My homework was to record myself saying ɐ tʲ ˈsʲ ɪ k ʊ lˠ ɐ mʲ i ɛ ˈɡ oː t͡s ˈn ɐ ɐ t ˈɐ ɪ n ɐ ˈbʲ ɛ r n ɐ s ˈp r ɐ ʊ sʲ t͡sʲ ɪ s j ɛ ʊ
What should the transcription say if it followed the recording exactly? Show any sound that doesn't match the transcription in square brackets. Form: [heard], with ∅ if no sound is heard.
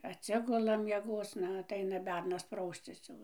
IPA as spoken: ɐ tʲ ˈsʲ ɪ [ɡ] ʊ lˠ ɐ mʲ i ɛ ˈɡ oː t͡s ˈn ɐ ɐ t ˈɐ ɪ n ɐ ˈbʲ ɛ r n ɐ s ˈp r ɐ ʊ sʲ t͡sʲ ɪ s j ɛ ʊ